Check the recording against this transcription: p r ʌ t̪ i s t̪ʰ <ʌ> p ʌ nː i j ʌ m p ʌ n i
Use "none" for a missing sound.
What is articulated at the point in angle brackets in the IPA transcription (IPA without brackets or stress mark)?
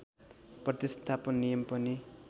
a